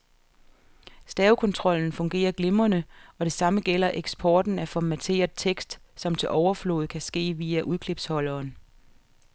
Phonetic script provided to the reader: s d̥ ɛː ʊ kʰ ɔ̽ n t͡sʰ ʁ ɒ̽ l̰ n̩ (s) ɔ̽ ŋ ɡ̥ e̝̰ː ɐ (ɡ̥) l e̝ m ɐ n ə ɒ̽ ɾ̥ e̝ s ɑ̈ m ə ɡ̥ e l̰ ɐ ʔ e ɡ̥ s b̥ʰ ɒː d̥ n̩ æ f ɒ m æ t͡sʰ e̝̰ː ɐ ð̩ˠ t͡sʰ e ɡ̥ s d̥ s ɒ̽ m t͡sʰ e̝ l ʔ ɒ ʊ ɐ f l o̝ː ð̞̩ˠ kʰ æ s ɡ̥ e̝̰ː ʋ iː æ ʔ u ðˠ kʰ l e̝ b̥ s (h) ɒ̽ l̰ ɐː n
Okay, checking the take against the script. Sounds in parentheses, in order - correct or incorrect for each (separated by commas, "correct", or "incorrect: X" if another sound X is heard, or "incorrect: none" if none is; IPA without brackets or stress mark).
incorrect: f, correct, correct